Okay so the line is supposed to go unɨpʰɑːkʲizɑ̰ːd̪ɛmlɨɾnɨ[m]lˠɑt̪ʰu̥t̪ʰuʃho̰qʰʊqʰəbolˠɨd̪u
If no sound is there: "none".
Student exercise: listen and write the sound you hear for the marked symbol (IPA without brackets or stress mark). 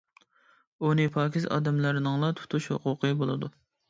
ŋ